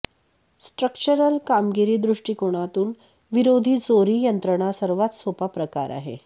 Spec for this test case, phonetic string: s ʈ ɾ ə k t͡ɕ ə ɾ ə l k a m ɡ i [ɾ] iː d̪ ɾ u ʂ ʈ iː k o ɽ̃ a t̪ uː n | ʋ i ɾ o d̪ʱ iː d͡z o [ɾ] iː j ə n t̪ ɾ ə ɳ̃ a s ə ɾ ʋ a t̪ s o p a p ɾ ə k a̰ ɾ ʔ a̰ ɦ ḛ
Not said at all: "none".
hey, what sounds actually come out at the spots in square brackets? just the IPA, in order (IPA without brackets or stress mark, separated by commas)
ɾ, ɾ